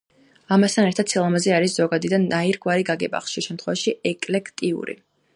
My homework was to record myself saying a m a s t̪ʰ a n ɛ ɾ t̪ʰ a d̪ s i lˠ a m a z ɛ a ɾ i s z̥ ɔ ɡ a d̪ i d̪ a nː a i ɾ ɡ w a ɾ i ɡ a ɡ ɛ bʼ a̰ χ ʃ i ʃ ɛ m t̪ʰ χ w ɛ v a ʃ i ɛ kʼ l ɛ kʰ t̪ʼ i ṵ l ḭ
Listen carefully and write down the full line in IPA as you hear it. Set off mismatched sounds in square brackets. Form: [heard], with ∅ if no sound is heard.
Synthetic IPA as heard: a m a s t̪ʰ a n ɛ ɾ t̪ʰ a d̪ s i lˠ a m a z ɛ a ɾ i s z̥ ɔ ɡ a d̪ i d̪ a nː a i ɾ ɡ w a ɾ i ɡ a ɡ ɛ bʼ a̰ χ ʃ i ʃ ɛ m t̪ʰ χ w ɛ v a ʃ i ɛ kʼ l ɛ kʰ t̪ʼ i ṵ [ɾ] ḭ